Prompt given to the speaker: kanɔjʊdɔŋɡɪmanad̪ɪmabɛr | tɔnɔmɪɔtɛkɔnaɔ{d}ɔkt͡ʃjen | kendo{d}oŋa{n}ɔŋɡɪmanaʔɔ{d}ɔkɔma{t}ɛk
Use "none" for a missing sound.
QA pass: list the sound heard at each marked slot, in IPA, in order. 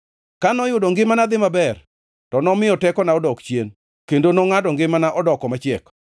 d, n, d, d, t͡ʃ

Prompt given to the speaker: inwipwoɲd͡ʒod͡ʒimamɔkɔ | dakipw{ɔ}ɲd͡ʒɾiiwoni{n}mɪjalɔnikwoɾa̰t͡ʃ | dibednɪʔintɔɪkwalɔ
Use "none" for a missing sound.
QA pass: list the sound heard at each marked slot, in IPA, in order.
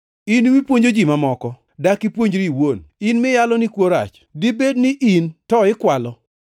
o, n

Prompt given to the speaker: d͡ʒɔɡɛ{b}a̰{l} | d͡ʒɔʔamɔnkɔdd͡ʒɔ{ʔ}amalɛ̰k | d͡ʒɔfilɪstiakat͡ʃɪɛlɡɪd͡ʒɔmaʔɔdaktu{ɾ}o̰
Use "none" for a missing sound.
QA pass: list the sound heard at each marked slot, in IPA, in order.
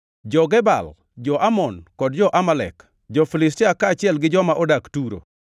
b, l, ʔ, ɾ

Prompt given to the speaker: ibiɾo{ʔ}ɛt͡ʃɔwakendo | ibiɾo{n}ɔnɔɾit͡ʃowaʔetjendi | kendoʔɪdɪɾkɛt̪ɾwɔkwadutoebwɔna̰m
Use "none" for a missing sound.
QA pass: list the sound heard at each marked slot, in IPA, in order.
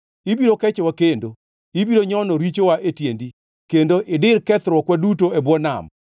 k, ɲ

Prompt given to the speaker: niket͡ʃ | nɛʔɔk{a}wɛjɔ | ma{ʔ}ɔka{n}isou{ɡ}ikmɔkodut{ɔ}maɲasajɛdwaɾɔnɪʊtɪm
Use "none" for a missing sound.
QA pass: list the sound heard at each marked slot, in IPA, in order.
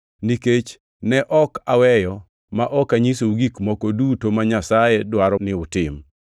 a, ʔ, ɲ, ɡ, o

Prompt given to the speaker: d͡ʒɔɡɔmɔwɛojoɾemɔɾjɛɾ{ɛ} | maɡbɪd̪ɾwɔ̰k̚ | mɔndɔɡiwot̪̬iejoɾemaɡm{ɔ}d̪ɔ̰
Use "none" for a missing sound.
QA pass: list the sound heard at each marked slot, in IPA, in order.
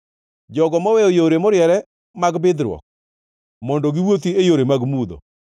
ɛ, u

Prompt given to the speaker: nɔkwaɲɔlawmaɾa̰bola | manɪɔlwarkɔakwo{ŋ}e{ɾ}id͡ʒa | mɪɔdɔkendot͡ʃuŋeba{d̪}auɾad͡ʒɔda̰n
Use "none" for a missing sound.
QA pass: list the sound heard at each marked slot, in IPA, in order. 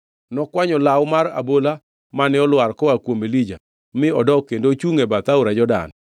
m, l, t̪

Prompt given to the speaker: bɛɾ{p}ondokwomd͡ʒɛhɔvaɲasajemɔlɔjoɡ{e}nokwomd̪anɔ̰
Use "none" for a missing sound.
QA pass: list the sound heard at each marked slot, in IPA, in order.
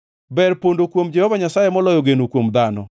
p, e

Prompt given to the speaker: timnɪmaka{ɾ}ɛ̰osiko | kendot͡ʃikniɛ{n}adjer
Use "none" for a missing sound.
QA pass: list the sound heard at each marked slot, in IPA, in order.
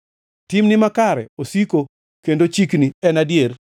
ɾ, n

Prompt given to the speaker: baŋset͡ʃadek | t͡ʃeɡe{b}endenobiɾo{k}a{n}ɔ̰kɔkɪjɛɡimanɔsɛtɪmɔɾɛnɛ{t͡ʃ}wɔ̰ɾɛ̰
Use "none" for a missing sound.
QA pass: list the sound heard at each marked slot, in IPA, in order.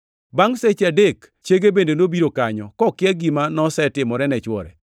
b, k, ɲ, t͡ʃ

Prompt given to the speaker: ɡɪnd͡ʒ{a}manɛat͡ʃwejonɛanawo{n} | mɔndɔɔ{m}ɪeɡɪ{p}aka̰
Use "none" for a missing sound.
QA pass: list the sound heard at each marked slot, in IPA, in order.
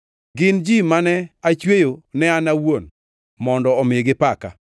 i, n, m, p

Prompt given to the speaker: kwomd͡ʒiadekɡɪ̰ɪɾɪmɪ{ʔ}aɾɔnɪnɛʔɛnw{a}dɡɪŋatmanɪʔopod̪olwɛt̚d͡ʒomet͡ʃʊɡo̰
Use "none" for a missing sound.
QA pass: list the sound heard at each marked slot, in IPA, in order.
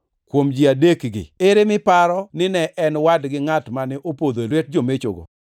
p, a

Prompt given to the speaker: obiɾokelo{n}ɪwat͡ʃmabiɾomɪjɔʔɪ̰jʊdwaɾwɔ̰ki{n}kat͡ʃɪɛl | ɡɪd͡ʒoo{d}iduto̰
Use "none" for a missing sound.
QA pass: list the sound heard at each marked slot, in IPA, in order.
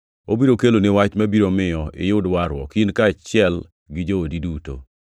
n, n, d

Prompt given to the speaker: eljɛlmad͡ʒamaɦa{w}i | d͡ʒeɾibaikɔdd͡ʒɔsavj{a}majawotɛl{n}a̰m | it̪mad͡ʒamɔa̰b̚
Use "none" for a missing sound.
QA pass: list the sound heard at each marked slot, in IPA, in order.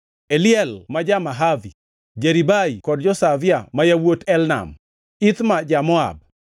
v, a, n

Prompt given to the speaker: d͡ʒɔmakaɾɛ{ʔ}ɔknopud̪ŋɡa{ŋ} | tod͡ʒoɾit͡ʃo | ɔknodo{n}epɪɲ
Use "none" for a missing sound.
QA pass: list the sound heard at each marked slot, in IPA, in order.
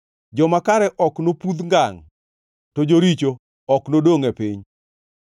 ʔ, ŋ, ŋ

